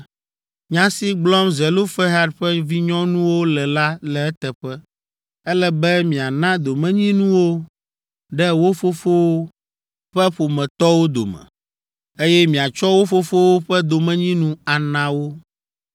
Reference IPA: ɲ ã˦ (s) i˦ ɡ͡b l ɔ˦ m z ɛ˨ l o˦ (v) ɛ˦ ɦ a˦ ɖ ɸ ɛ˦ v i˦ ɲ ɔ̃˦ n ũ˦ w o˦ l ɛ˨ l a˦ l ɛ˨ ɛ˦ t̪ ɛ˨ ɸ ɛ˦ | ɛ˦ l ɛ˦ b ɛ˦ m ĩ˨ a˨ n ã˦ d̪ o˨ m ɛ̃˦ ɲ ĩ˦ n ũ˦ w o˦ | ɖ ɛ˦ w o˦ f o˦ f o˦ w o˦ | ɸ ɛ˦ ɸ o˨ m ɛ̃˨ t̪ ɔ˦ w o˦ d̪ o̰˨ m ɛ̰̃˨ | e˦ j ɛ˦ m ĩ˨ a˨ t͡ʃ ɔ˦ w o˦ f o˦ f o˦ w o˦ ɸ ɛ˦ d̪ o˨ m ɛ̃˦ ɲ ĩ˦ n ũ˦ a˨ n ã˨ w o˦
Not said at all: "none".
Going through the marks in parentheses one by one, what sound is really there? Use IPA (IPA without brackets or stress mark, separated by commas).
s, f